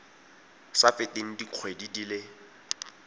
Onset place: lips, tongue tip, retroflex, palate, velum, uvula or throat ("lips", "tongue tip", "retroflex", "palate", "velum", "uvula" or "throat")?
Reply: tongue tip